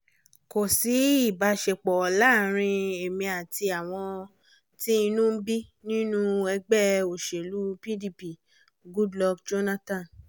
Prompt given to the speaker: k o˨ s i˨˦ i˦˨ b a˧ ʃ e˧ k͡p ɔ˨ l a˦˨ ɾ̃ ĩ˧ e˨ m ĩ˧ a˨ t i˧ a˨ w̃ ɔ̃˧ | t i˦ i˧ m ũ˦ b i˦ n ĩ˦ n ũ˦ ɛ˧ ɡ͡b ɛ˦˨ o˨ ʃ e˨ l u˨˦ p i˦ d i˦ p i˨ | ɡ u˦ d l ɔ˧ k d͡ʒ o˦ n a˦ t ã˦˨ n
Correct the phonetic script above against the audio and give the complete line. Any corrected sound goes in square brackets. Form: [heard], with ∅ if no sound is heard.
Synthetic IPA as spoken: k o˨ s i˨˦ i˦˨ b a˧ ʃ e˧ k͡p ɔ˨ l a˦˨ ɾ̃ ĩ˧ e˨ m ĩ˧ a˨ t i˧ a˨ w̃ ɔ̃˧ | t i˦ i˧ [n] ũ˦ b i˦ n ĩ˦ n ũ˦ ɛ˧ ɡ͡b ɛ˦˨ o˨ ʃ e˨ l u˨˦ p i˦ d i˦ p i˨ | ɡ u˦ d l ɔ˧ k d͡ʒ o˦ n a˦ t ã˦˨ n